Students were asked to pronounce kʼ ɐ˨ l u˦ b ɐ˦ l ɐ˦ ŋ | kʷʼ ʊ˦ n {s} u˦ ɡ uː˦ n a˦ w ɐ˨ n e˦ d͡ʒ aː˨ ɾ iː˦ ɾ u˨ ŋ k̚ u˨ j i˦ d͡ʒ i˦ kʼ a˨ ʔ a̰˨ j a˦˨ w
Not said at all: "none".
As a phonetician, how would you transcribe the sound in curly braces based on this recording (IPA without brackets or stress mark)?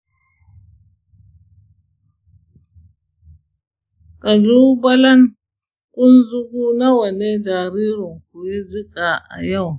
z